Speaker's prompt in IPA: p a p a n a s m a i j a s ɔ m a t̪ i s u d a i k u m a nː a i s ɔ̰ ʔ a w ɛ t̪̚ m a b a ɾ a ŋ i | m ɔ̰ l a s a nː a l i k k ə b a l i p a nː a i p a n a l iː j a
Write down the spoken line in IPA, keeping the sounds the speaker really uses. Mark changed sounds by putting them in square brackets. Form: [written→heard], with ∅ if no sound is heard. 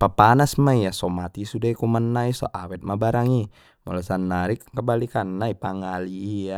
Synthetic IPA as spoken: p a p a n a s m a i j a s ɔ m a t̪ i s u d a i k u m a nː a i s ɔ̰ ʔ a w ɛ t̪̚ m a b a ɾ a ŋ i | m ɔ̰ l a s a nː a [l→ɾ] i k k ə b a l i [p→k] a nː a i p a [n→ŋ] a l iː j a